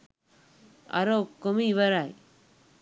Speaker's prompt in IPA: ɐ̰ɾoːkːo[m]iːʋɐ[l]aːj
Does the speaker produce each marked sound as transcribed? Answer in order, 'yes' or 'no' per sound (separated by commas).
yes, no